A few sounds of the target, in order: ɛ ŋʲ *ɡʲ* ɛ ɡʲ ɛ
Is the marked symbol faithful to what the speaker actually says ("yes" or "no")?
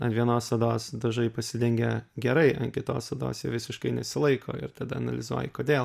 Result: yes